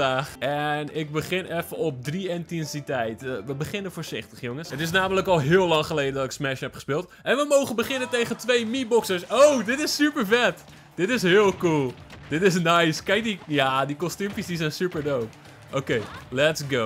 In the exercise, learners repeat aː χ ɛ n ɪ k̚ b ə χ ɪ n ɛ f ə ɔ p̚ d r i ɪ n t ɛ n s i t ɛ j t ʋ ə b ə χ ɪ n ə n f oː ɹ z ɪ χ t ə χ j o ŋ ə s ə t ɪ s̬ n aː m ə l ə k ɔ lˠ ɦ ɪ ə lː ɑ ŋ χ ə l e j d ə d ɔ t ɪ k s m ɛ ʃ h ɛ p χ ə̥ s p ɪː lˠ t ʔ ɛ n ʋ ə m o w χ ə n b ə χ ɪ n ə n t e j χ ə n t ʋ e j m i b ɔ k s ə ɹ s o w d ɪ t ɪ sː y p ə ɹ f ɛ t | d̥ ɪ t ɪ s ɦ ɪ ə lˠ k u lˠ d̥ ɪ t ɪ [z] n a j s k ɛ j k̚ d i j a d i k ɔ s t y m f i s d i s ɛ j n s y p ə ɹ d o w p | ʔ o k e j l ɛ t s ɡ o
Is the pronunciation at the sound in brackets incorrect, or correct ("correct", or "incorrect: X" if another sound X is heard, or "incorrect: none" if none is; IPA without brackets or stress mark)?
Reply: incorrect: s